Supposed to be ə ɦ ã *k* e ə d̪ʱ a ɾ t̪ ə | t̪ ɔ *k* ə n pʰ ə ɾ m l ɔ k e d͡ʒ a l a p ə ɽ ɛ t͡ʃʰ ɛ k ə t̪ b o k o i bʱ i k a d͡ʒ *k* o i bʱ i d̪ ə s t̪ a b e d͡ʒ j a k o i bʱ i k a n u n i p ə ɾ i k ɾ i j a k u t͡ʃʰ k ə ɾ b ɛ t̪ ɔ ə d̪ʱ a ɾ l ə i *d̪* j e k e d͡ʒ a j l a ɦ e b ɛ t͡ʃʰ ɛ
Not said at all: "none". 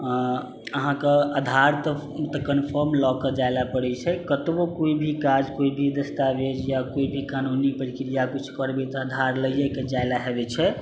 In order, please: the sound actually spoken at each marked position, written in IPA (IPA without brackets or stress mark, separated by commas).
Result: k, k, k, none